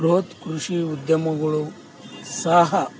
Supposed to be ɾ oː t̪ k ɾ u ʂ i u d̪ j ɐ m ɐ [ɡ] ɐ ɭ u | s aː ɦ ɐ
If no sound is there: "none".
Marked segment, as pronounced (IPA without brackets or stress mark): ɡ